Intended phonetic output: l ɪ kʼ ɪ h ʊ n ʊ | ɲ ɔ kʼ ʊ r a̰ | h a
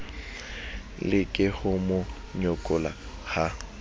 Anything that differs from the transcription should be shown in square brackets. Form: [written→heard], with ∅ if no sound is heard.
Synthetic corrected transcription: l ɪ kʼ ɪ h ʊ [n→m] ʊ | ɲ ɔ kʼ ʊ [r→l] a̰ | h a